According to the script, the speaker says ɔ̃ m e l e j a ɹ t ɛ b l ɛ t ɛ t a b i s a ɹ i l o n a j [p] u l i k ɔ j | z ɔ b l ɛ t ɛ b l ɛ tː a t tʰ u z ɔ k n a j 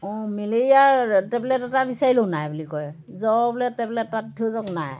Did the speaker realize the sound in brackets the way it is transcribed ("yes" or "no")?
no